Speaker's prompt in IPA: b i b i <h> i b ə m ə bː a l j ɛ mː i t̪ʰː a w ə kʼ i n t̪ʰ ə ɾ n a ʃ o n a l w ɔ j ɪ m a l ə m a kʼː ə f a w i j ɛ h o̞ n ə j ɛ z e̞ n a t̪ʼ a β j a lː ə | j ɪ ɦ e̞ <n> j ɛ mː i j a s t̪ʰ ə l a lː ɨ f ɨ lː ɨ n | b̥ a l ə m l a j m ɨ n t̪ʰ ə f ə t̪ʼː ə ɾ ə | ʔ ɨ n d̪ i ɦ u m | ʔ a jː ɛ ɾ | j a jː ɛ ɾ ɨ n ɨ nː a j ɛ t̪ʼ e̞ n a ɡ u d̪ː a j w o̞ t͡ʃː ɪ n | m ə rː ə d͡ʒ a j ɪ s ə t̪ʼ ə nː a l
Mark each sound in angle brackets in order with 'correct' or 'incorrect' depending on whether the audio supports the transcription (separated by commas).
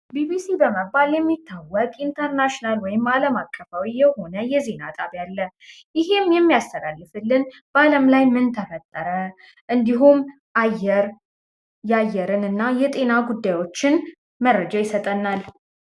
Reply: incorrect, incorrect